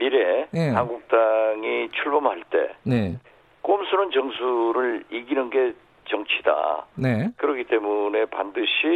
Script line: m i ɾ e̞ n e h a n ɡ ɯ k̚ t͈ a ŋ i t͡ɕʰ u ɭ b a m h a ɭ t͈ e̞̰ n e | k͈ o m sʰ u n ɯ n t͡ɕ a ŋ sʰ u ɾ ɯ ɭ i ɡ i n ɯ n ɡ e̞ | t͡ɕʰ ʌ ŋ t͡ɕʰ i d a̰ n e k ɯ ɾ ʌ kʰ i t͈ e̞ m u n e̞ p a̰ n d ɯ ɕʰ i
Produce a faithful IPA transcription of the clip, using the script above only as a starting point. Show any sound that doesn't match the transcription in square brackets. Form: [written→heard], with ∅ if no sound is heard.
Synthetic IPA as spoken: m i ɾ e̞ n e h a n ɡ [ɯ→u] k̚ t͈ a ŋ i t͡ɕʰ u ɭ b [a→ʌ] m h a ɭ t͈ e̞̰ n e | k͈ o m sʰ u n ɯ n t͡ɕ [a→ʌ] ŋ sʰ u ɾ ɯ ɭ i ɡ i n ɯ n ɡ e̞ | [t͡ɕʰ→t͡ɕ] ʌ ŋ t͡ɕʰ i d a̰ n e k ɯ ɾ ʌ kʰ i t͈ e̞ m u n e̞ p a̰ n d ɯ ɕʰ i